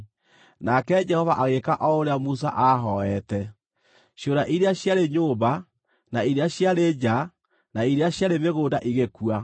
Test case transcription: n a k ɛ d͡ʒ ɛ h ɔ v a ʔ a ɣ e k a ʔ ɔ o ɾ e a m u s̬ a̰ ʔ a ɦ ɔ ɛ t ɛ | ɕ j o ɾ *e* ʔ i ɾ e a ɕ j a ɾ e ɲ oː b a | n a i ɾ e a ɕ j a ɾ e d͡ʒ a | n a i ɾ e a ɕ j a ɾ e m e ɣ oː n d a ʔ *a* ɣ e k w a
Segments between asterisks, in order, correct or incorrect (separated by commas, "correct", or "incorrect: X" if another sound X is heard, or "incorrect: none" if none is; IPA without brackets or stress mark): incorrect: a, incorrect: i